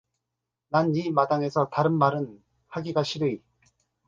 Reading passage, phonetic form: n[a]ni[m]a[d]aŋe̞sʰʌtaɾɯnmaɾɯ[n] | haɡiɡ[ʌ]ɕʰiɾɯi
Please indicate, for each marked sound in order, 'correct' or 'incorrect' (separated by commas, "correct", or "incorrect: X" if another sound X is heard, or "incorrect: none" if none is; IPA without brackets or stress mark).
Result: correct, correct, correct, correct, incorrect: a